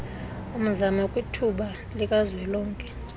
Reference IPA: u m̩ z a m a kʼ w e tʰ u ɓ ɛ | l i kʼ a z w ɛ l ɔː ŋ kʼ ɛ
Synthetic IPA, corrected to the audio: u m̩ z a m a kʼ w i tʰ u ɓ a | l i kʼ a z w ɛ l ɔː ŋ kʼ ɛ